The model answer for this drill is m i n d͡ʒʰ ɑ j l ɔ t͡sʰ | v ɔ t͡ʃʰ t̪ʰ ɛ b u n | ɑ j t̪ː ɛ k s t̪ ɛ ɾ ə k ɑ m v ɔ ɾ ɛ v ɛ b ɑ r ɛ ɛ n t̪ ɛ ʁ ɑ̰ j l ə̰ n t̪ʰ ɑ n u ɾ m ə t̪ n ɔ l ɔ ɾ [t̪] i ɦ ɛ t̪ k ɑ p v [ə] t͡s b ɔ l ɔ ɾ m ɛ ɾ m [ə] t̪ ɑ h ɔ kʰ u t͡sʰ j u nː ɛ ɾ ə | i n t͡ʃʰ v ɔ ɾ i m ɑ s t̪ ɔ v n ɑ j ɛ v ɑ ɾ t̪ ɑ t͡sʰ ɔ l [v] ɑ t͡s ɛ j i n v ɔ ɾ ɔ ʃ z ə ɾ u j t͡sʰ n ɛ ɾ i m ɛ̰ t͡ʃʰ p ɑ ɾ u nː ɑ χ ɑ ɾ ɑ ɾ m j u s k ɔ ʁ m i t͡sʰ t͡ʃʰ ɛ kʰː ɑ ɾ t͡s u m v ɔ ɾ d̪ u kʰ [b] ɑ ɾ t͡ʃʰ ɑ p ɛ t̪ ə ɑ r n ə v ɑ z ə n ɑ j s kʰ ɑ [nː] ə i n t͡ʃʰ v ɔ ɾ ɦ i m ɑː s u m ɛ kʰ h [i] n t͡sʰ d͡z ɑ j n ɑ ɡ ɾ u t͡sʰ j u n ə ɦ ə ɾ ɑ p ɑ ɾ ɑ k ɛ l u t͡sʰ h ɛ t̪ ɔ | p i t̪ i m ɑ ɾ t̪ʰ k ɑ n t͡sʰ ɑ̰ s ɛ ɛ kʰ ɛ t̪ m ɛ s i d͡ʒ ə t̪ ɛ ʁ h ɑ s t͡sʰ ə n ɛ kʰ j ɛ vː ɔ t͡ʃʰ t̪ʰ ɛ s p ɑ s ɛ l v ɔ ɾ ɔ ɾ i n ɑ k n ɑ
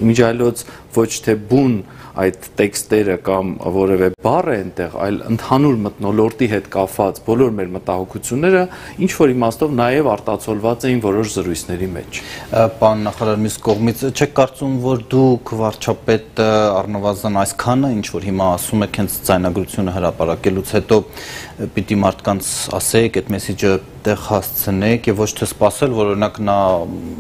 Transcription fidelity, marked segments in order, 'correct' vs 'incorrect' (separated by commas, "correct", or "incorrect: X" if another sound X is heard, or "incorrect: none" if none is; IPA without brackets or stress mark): correct, incorrect: ɑ, correct, correct, incorrect: v, incorrect: n, incorrect: ɛ